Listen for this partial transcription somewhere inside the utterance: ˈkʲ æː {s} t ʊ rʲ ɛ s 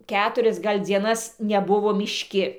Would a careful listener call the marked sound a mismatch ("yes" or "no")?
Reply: yes